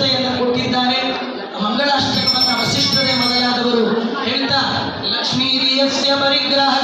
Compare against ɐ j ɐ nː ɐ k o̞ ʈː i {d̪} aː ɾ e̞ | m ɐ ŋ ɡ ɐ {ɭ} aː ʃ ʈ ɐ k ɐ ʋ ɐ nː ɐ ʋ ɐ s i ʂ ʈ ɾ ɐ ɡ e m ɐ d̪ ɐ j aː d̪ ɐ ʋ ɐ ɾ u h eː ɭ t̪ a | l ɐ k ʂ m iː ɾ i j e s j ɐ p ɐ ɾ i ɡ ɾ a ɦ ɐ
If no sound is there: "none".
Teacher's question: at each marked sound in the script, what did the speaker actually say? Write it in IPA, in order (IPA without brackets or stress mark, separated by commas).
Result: d̪ː, ɭ